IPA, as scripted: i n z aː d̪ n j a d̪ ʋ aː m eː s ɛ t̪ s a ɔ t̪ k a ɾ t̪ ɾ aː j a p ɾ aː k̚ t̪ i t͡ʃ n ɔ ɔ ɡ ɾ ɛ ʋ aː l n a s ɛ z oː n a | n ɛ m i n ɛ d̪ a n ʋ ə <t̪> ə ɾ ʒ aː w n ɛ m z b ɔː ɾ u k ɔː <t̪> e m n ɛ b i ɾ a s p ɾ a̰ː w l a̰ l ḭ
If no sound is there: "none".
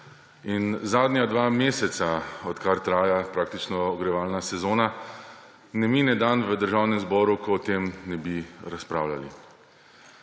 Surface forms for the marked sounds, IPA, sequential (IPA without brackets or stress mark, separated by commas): d̪, t̪